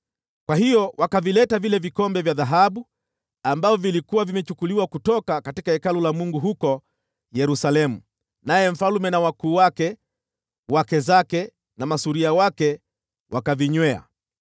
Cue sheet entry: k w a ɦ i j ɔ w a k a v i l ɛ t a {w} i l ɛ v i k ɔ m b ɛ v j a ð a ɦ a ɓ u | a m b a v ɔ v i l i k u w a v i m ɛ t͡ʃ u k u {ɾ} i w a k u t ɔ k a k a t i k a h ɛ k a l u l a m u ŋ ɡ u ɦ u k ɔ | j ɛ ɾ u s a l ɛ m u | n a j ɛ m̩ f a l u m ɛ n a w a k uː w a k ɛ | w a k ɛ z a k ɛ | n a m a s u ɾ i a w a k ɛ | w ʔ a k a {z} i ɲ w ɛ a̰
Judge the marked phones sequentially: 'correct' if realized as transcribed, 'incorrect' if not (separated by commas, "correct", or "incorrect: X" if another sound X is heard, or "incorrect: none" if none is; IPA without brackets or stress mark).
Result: incorrect: v, incorrect: l, incorrect: v